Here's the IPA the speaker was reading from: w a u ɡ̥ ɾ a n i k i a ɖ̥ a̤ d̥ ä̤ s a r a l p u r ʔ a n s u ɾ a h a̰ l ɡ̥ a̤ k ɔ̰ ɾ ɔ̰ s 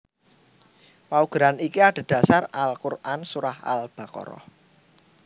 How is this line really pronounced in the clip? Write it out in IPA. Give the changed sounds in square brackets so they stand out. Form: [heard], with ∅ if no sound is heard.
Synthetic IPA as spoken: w a u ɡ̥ ɾ a n i k i a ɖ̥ a̤ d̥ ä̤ s a r a l [k] u r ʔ a n s u ɾ a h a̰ l [b̥] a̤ k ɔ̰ ɾ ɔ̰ [h]